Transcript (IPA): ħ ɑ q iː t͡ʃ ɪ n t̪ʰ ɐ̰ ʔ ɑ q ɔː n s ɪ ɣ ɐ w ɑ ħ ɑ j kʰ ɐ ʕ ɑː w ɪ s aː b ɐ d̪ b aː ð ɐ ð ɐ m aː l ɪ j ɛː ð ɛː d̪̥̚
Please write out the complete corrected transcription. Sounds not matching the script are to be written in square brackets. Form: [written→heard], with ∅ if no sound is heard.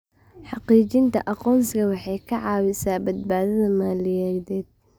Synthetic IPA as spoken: ħ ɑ q iː t͡ʃ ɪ n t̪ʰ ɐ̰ ʔ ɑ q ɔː n s ɪ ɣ ɐ w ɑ ħ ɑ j kʰ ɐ ʕ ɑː w ɪ s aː b ɐ d̪ b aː ð ɐ ð ɐ m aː l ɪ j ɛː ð ɛː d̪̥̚